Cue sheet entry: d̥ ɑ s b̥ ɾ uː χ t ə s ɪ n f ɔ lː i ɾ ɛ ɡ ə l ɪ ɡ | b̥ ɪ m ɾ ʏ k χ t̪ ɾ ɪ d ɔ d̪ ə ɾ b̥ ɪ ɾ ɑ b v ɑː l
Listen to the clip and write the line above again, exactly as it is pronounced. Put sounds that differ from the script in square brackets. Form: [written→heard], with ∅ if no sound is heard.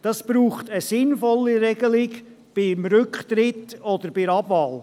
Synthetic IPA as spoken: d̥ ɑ s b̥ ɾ uː χ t ə s ɪ n f ɔ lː i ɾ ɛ ɡ ə l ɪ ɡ | b̥ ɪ m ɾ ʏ k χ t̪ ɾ ɪ [d→t] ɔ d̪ ə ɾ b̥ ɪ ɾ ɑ b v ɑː l